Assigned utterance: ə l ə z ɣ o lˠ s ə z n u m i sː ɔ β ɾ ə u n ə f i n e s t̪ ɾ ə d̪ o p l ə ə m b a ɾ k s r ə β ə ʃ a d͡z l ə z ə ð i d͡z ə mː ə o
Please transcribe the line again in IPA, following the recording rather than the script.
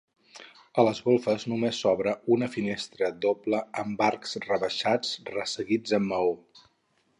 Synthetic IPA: ə l ə z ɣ o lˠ f ə z n u m e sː ɔ β ɾ ə u n ə f i n e s t̪ ɾ ə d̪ o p l ə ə m b a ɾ k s r ə β ə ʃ a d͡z r ə s ə ɣ i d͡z ə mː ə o